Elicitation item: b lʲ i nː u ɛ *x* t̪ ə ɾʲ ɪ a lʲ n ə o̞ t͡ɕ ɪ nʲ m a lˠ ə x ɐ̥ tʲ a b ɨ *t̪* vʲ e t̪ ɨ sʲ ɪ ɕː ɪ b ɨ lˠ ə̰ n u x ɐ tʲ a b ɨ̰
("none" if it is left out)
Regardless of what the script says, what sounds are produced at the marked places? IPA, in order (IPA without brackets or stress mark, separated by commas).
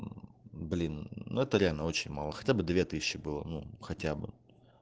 none, d̪